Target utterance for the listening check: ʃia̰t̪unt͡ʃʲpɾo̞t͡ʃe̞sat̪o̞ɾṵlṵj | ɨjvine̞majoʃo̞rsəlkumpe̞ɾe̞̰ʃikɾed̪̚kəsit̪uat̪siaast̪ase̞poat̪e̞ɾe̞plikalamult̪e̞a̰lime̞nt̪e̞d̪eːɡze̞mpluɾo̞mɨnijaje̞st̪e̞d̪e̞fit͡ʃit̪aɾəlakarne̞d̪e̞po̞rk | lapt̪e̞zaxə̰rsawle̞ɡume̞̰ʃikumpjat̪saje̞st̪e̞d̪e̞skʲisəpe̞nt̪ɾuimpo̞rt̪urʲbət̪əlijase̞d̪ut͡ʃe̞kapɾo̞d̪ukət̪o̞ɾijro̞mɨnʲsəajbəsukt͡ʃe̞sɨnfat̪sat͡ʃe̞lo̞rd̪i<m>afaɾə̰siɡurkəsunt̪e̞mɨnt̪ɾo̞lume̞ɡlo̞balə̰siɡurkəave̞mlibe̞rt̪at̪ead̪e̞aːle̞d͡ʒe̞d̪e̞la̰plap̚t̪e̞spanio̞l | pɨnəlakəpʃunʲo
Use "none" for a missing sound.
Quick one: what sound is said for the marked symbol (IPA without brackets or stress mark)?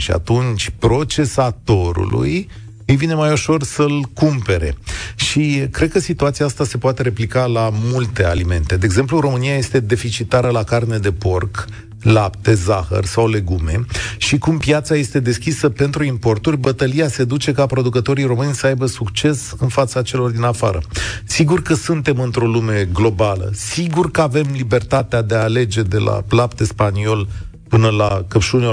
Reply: n